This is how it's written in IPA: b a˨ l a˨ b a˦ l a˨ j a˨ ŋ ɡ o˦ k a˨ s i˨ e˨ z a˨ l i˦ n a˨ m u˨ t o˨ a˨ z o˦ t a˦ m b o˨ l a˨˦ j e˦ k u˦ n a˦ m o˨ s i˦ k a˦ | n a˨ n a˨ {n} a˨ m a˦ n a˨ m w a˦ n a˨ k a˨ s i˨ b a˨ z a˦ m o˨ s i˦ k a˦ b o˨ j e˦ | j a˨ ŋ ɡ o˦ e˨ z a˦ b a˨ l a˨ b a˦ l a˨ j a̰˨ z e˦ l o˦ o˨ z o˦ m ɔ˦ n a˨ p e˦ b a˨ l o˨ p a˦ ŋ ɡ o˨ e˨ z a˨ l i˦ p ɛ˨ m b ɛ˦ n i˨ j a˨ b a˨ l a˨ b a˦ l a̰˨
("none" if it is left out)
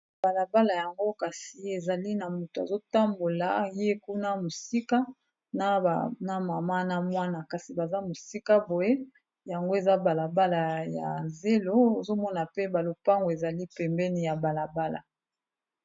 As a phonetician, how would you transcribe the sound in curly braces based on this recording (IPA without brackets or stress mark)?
m